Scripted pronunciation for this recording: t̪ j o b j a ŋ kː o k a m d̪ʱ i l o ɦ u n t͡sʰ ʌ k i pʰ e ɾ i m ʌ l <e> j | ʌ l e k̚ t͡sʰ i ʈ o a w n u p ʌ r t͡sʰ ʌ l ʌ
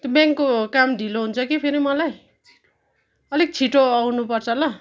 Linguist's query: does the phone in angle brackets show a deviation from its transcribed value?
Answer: yes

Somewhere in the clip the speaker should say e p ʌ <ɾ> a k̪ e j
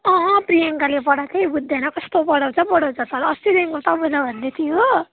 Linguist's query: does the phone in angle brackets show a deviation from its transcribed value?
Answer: yes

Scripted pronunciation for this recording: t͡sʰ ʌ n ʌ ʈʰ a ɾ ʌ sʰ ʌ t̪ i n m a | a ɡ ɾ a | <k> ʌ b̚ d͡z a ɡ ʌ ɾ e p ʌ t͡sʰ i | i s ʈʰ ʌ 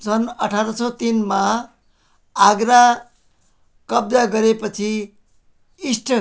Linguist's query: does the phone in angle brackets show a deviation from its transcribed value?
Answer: no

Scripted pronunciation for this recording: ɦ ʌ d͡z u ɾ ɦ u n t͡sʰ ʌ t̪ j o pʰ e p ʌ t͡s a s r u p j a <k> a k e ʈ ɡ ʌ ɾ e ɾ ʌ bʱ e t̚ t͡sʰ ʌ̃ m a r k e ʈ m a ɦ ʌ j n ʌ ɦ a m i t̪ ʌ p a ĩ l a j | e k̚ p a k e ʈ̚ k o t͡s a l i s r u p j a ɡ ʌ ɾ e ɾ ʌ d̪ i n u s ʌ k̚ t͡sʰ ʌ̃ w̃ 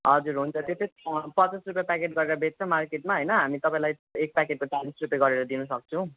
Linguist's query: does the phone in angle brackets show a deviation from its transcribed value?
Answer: yes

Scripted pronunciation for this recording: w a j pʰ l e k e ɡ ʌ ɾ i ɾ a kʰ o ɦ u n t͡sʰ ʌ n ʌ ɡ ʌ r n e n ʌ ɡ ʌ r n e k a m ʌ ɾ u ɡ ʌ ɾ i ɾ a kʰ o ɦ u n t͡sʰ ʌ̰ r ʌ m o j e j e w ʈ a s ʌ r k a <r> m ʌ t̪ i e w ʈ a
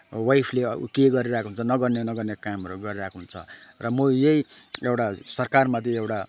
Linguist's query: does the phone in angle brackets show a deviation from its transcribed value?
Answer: no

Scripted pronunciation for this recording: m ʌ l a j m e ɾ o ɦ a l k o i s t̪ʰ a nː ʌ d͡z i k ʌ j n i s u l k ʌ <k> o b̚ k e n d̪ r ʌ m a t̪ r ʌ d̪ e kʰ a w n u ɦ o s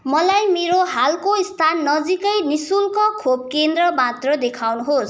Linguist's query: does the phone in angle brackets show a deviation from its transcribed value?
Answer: yes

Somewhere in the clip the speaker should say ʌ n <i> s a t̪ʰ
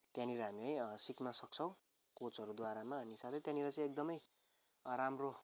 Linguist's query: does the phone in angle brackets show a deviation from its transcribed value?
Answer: no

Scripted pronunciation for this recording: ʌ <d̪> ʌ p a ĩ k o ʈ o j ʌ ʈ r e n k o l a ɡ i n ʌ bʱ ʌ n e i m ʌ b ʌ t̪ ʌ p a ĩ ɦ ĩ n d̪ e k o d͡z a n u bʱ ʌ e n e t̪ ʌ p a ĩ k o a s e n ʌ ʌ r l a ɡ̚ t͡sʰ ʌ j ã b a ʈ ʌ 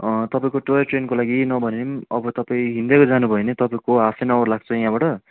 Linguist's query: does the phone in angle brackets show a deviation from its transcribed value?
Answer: yes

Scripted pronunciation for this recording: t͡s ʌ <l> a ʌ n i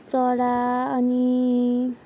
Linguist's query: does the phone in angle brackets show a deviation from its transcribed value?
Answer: yes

